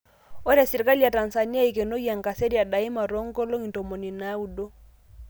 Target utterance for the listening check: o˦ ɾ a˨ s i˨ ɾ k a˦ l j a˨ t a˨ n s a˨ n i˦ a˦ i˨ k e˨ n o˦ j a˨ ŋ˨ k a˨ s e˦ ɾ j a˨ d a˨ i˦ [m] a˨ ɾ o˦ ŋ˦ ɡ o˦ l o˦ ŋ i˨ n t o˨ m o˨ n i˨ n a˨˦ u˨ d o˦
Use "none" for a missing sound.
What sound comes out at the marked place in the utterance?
m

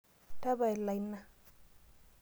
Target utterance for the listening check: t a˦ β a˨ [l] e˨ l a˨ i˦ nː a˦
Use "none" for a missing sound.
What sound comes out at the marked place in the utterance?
none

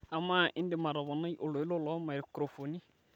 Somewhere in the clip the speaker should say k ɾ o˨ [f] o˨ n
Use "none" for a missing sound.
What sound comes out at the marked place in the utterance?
f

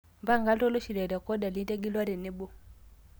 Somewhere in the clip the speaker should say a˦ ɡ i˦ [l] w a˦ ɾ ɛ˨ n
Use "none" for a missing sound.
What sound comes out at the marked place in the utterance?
l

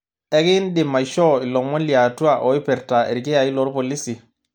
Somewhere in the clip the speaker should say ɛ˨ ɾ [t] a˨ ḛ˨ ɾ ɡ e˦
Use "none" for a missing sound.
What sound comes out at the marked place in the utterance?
t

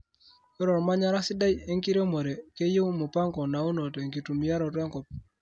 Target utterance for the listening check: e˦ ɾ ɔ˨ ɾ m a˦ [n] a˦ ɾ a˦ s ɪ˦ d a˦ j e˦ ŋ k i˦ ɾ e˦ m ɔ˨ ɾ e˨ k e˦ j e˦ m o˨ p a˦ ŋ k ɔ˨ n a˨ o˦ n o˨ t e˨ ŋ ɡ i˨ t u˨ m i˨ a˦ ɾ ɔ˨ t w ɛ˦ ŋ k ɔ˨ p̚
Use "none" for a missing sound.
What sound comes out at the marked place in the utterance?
ɲ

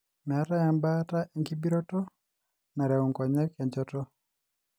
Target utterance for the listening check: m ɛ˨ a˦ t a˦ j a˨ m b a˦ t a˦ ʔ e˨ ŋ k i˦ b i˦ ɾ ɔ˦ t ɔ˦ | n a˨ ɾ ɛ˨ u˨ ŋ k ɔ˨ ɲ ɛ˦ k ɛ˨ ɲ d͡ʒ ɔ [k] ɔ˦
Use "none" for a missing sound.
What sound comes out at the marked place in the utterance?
t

